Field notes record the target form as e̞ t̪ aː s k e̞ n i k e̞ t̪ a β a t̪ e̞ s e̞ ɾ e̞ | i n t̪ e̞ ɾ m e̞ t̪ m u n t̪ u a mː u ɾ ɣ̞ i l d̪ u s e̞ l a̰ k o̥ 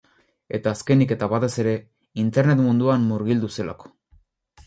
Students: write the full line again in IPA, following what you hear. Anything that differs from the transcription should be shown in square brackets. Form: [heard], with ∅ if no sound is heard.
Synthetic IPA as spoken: e̞ t̪ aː s k e̞ n i k e̞ t̪ a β a t̪ e̞ s e̞ ɾ e̞ | i n t̪ e̞ ɾ [n] e̞ t̪ m u n [d̪] u a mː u ɾ ɣ̞ i l d̪ u s e̞ l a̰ k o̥